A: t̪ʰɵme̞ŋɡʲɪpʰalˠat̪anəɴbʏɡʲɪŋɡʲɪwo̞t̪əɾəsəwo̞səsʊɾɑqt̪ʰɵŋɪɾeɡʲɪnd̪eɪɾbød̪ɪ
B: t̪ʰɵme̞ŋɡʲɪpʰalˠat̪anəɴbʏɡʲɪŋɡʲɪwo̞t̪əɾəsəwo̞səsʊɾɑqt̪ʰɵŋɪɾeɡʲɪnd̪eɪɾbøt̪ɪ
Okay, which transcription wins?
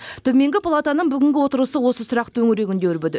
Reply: A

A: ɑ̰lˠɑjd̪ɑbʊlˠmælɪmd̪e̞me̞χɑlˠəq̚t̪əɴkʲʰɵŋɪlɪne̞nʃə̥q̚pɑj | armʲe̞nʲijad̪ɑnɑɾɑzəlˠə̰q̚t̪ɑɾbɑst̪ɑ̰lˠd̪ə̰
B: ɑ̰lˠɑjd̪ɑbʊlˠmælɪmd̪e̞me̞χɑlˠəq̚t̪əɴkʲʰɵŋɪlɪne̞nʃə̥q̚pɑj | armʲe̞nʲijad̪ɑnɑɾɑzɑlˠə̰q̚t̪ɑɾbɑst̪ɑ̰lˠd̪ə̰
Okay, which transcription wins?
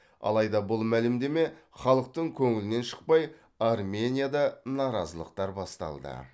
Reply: A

